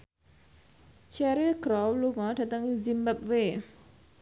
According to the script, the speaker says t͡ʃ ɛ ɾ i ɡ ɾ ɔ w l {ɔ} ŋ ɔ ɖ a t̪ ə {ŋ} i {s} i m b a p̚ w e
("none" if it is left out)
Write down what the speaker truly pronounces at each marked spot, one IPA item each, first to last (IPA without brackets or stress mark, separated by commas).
u, ŋ, z